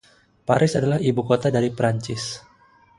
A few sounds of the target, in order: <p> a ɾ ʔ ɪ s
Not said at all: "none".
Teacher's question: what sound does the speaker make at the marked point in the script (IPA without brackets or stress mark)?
p